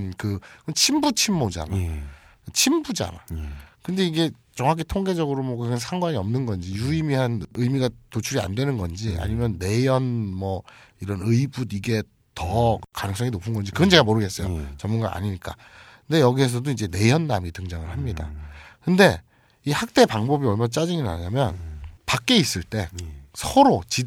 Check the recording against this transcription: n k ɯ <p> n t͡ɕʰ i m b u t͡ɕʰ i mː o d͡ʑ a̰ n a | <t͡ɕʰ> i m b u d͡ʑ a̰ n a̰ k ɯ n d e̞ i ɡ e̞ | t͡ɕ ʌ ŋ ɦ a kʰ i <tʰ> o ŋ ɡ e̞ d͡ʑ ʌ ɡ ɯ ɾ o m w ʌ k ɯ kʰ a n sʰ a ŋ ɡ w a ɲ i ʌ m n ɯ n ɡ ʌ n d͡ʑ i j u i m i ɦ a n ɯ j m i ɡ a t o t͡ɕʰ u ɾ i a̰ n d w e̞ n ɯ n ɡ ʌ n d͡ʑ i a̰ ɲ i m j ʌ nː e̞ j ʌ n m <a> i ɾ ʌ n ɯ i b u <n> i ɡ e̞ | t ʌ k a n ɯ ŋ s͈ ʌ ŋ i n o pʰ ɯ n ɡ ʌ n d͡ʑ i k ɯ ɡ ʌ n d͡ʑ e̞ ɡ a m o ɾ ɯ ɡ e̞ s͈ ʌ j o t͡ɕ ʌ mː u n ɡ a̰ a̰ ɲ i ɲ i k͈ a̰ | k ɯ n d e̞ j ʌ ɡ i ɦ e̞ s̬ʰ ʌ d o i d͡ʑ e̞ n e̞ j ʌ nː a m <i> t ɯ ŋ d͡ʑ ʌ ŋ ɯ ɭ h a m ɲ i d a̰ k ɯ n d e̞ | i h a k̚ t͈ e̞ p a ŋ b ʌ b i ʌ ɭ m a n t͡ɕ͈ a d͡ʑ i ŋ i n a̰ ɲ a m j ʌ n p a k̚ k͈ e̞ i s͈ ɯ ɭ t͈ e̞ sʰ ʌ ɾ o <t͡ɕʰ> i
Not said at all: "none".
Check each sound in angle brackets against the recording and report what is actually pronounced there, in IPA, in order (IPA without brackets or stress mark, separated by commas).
k, t͡ɕʰ, tʰ, ʌ, d, i, t͡ɕ